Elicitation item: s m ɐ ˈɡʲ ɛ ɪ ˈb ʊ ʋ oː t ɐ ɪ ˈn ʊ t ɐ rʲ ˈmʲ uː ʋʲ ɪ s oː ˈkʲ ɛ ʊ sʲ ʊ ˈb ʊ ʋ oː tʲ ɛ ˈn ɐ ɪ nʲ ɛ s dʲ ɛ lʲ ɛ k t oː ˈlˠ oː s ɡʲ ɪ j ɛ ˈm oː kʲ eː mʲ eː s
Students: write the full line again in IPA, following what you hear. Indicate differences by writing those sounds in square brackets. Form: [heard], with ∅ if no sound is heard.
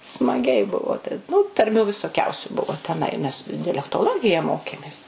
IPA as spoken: s m ɐ ˈɡʲ ɛ ɪ ˈb ʊ ʋ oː t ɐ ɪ ˈn ʊ t ɐ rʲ ˈmʲ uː ʋʲ ɪ s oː ˈkʲ ɛ ʊ sʲ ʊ ˈb ʊ ʋ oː tʲ ɛ ˈn ɐ ɪ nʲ ɛ s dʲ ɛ lʲ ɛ k t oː ˈlˠ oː [∅] ɡʲ ɪ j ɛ ˈm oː kʲ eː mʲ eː s